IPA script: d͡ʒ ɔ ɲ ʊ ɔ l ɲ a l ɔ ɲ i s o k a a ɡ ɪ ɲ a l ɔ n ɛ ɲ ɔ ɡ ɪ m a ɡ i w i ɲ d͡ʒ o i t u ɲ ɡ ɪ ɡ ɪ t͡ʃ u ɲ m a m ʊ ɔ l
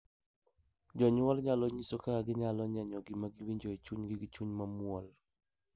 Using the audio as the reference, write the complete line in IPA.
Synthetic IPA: d͡ʒ ɔ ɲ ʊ ɔ l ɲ a l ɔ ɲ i s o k a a ɡ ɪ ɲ a l ɔ ɲ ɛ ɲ ɔ ɡ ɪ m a ɡ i w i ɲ d͡ʒ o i t͡ʃ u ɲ ɡ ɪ ɡ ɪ t͡ʃ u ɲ m a m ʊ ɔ l